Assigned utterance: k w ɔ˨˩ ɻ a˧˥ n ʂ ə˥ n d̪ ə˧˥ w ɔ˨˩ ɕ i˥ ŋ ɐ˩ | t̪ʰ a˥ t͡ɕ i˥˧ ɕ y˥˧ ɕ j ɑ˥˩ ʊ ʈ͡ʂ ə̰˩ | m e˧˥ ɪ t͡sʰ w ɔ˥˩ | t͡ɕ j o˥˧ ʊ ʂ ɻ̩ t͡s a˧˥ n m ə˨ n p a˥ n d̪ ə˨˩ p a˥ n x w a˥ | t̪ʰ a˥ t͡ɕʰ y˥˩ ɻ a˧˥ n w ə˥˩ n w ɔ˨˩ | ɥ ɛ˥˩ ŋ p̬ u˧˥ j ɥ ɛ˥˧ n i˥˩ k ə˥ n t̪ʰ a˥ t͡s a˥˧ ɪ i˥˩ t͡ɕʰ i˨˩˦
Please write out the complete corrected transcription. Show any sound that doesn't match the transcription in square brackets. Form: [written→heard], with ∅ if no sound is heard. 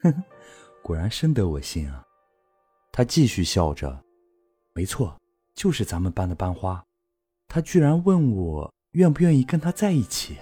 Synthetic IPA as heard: k w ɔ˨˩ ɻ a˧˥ n ʂ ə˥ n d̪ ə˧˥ w ɔ˨˩ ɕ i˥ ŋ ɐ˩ | t̪ʰ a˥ t͡ɕ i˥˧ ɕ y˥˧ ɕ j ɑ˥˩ ʊ ʈ͡ʂ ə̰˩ | m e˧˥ ɪ t͡sʰ w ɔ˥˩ | t͡ɕ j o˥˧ ʊ ʂ ɻ̩ t͡s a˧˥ n m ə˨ n p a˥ n d̪ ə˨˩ p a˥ n x w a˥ | t̪ʰ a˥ [t͡ɕʰ→t͡ɕ] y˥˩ ɻ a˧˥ n w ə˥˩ n w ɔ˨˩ | ɥ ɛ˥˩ [ŋ→n] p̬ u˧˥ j ɥ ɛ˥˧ n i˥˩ k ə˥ n t̪ʰ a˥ t͡s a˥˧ ɪ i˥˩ t͡ɕʰ i˨˩˦